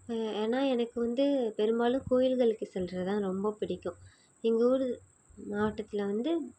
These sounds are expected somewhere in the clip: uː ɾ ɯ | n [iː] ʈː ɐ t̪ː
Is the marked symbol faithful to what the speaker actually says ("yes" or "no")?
no